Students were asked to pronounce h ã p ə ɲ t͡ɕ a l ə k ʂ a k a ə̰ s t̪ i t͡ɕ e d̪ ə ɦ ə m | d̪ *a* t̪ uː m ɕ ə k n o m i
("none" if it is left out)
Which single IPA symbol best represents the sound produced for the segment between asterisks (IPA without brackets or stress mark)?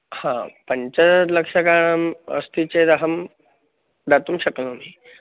a